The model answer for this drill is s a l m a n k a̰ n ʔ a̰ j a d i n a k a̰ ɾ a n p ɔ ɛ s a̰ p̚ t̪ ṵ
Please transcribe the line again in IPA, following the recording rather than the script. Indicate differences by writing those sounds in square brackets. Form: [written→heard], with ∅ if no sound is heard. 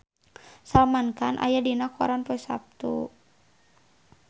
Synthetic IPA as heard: s a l m a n k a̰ n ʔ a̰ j a d i n a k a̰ ɾ a n p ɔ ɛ s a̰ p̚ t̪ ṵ